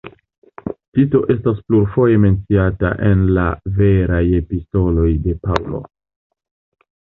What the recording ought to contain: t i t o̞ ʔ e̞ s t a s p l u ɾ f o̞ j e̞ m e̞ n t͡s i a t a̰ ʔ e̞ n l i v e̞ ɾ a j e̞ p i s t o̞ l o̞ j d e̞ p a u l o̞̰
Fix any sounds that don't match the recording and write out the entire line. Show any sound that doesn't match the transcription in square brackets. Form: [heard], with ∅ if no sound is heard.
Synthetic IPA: t i t o̞ ʔ e̞ s t a s p l u ɾ f o̞ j e̞ m e̞ n t͡s i a t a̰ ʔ e̞ n l [a] v e̞ ɾ a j e̞ p i s t o̞ l o̞ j d e̞ p a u l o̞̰